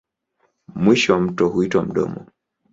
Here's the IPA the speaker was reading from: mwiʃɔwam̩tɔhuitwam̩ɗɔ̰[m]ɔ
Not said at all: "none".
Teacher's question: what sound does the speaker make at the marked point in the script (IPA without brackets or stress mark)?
m